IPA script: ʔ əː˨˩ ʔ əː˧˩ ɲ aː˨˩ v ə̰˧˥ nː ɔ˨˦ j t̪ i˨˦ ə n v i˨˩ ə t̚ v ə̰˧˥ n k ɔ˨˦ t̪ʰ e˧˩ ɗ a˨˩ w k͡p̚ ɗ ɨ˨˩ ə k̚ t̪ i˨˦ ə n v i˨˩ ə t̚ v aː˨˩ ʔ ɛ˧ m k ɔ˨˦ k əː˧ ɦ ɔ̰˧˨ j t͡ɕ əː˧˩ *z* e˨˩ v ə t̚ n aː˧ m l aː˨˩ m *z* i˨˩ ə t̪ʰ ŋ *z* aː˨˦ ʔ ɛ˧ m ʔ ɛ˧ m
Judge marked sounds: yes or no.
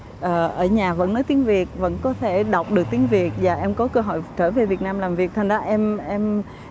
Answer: no, no, yes

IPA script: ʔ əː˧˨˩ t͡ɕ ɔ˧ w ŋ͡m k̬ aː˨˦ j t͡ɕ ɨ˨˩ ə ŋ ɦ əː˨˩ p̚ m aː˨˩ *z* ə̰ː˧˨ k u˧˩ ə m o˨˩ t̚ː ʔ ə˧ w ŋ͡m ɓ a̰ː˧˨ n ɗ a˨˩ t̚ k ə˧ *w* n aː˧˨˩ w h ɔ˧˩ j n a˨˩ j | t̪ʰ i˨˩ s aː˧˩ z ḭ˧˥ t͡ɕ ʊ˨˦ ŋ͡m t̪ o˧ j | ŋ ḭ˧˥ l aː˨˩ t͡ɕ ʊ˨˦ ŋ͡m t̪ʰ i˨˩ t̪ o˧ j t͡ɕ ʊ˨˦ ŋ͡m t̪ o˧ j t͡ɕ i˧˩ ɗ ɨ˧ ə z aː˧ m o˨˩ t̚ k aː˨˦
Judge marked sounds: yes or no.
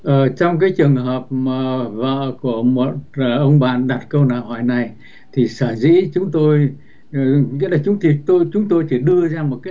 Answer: no, yes

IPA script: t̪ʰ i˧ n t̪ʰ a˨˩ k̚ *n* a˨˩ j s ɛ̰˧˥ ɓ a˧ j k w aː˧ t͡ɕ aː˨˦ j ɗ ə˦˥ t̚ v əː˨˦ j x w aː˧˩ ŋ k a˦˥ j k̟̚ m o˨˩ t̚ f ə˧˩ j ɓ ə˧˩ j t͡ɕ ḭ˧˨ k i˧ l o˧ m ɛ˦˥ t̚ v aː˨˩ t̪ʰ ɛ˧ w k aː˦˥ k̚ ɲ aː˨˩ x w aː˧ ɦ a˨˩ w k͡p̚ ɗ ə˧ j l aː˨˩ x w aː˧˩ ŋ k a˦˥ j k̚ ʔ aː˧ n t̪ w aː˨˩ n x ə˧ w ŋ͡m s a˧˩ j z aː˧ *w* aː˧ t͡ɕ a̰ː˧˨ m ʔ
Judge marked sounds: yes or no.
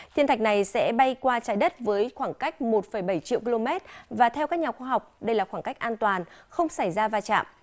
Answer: yes, no

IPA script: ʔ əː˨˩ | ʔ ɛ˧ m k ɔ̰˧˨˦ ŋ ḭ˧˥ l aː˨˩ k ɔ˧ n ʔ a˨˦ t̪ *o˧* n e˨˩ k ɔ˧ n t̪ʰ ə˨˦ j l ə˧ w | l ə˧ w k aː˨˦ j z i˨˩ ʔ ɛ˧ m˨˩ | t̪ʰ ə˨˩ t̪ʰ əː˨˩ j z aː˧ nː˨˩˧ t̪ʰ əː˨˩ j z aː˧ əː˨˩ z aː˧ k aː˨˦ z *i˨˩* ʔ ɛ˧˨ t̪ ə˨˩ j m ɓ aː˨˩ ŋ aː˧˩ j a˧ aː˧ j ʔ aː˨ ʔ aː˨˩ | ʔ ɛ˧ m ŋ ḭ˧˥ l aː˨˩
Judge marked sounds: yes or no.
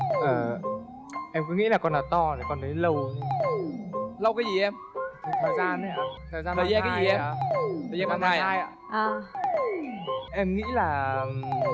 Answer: no, yes

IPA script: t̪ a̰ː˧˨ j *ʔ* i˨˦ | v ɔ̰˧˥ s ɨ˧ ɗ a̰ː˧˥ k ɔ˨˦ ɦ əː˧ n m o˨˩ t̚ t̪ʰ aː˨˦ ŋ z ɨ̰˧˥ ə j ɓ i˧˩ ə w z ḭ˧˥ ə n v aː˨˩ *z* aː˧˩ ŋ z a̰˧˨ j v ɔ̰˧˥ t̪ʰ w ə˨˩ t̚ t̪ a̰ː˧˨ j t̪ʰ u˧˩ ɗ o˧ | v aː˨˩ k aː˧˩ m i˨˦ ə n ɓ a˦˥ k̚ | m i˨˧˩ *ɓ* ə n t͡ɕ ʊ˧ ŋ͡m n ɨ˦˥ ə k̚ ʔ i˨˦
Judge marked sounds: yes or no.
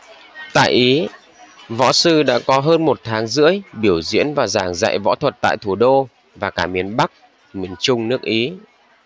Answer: yes, yes, no

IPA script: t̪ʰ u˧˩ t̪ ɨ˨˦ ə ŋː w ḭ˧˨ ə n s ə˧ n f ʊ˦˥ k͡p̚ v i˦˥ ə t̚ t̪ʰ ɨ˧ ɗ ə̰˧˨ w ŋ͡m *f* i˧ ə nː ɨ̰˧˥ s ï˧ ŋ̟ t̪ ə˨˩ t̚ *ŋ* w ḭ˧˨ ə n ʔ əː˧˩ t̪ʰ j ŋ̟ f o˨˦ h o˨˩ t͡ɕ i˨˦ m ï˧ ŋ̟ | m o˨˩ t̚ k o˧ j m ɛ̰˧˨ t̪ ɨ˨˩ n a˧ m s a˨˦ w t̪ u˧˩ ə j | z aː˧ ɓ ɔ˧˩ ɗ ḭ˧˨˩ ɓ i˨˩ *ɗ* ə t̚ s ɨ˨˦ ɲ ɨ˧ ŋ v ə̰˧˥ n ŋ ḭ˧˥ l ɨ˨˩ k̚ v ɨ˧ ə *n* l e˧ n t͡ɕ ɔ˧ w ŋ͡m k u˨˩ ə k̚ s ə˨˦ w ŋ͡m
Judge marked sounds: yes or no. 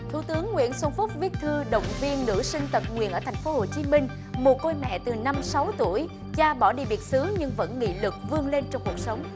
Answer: no, yes, no, no

